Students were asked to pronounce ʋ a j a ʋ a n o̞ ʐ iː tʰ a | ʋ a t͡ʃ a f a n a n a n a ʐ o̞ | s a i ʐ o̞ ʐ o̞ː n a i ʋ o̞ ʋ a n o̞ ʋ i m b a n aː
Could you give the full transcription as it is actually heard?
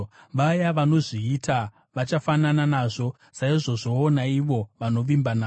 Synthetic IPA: ʋ a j a ʋ a n o̞ ʐ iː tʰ a | ʋ a t͡ʃ a f a n a n a n a ʐ o̞ | s a i ʐ o̞ ʐ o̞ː n a i ʋ o̞ ʋ a n o̞ ʋ i m b a n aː